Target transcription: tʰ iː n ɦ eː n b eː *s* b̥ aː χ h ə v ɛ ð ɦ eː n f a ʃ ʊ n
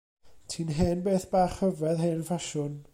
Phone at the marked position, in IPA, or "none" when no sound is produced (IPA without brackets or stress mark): θ